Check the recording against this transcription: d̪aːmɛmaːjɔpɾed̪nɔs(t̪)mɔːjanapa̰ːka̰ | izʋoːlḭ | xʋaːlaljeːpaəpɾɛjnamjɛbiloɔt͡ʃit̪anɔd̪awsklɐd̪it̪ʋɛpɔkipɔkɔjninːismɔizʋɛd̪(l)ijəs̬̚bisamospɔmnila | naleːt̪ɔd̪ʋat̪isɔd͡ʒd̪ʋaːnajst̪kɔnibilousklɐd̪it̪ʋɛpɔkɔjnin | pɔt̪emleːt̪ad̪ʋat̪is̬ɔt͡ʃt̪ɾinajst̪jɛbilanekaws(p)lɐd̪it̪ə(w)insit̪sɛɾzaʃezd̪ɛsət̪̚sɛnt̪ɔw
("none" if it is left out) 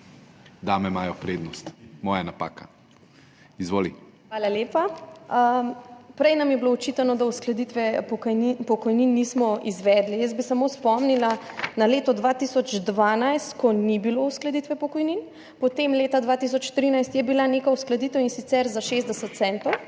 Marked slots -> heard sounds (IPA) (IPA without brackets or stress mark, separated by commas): t̪, l, k, w